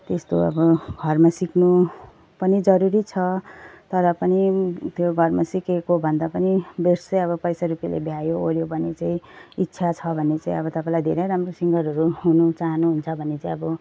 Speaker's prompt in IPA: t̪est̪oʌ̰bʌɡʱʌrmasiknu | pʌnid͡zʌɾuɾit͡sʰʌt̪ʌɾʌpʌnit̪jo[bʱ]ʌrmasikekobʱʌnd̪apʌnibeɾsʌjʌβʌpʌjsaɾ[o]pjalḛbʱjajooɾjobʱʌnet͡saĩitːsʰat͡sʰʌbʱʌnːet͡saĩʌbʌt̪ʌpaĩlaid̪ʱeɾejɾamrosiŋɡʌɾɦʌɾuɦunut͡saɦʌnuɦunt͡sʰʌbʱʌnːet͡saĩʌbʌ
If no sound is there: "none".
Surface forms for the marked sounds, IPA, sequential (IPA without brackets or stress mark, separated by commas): ɡʱ, u